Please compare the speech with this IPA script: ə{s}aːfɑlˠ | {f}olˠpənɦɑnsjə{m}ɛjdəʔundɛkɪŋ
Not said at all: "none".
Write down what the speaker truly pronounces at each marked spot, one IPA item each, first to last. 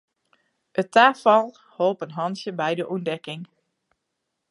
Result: t, h, b

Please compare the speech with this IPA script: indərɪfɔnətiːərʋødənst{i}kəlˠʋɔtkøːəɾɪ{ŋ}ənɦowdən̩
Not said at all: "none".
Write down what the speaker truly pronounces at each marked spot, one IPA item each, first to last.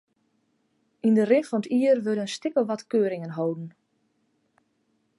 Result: ɪ, ŋ

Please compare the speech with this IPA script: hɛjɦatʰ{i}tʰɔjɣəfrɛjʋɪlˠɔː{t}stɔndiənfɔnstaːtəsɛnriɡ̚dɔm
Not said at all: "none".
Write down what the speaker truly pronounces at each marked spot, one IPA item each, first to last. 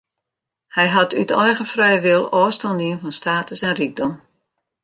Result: y, none

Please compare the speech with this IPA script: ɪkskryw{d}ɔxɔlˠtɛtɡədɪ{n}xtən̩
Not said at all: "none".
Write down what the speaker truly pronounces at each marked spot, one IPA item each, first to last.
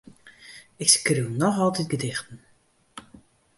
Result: n, none

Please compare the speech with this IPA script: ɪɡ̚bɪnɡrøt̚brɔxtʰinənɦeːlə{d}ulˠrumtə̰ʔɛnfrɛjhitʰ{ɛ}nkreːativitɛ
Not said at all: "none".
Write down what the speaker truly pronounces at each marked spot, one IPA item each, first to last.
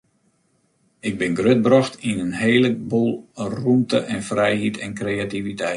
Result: b, ɛ

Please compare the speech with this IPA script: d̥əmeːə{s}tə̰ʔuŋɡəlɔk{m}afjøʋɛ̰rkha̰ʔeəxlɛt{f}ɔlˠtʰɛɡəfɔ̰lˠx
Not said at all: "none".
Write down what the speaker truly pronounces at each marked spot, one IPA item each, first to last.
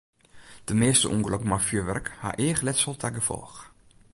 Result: s, m, s

